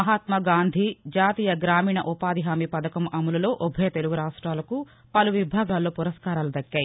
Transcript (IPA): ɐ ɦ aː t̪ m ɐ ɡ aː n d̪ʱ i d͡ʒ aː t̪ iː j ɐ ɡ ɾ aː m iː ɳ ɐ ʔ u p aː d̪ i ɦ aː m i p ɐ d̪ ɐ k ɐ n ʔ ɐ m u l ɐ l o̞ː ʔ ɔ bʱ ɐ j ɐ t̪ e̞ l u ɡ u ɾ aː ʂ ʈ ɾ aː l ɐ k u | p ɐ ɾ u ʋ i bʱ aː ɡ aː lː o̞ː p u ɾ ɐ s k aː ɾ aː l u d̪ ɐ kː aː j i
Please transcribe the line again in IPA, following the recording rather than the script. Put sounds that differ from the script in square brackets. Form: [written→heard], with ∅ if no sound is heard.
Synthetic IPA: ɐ ɦ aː t̪ m ɐ ɡ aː n d̪ʱ i d͡ʒ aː t̪ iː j ɐ ɡ ɾ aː m iː ɳ ɐ ʔ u p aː d̪ i ɦ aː m i p ɐ d̪ ɐ k ɐ [n→m] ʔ ɐ m u l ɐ l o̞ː ʔ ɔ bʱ ɐ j ɐ t̪ e̞ l u ɡ u ɾ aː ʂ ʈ ɾ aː l ɐ k u | p ɐ [ɾ→l] u ʋ i bʱ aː ɡ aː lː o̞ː p u ɾ ɐ s k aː ɾ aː l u d̪ ɐ kː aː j i

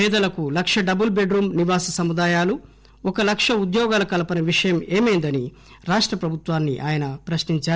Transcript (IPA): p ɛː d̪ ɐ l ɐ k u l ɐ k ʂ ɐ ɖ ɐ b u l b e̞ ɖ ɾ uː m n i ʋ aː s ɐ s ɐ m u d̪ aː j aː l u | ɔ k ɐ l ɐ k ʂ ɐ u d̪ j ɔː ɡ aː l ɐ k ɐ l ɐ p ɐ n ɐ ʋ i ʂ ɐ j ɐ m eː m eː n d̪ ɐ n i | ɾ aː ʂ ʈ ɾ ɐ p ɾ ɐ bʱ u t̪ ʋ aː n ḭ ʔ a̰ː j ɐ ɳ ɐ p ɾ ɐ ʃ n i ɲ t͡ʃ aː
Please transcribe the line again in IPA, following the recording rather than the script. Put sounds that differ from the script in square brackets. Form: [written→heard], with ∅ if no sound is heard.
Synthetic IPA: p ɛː d̪ ɐ l ɐ k u l ɐ k ʂ ɐ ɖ ɐ b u l b e̞ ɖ ɾ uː m n i ʋ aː s ɐ s ɐ m u d̪ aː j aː l u | ɔ k ɐ l ɐ k ʂ ɐ u d̪ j ɔː ɡ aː l ɐ k ɐ l ɐ p ɐ n ɐ ʋ i ʂ ɐ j ɐ m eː m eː n d̪ ɐ n i | ɾ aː ʂ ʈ ɾ ɐ p ɾ ɐ bʱ u t̪ ʋ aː [n→nː] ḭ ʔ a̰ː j ɐ [ɳ→n] ɐ p ɾ ɐ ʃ n i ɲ t͡ʃ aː

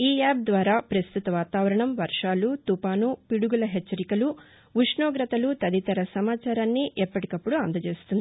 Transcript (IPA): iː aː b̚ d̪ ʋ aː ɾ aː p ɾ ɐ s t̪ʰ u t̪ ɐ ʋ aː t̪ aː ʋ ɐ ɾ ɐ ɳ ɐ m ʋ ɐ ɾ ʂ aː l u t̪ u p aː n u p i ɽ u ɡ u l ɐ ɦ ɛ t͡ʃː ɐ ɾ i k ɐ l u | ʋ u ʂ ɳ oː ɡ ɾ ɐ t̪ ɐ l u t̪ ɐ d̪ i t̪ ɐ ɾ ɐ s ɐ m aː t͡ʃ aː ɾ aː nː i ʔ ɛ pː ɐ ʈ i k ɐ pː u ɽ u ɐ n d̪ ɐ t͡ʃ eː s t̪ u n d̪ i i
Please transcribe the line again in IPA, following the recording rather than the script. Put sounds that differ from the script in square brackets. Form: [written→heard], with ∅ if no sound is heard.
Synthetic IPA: iː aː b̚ d̪ ʋ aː ɾ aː p ɾ ɐ s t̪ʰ u t̪ ɐ ʋ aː t̪ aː ʋ ɐ ɾ ɐ ɳ ɐ m ʋ ɐ ɾ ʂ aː l u t̪ u p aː n u p i ɽ u ɡ u l ɐ ɦ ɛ t͡ʃː ɐ ɾ i k ɐ l u | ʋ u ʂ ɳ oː ɡ ɾ ɐ t̪ ɐ l u t̪ ɐ d̪ i t̪ ɐ ɾ ɐ s ɐ m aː t͡ʃ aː ɾ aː nː i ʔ ɛ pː ɐ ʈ i k ɐ pː u ɽ u ɐ n d̪ ɐ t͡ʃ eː s t̪ u n d̪ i i

